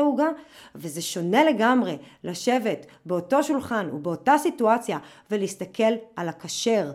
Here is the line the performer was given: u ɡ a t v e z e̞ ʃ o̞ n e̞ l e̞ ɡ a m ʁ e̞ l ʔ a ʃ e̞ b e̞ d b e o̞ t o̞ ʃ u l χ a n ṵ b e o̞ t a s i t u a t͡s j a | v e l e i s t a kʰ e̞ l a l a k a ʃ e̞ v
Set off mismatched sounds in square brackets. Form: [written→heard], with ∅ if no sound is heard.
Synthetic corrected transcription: u ɡ a [t→∅] v e z e̞ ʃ o̞ n e̞ l e̞ ɡ a m ʁ e̞ l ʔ a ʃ e̞ [b→v] e̞ [d→t] b e o̞ t o̞ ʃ u l χ a n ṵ b e o̞ t a s i t u a t͡s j a | v e l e i s t a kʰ e̞ l a l a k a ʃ e̞ [v→ʁ]